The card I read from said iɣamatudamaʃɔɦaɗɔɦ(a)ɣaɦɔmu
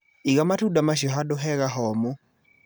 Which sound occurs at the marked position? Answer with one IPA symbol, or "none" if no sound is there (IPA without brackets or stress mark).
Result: ɛ